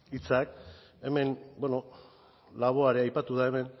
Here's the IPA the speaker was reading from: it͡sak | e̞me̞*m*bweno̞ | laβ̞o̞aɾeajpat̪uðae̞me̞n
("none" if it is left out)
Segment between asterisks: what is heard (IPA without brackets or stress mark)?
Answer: n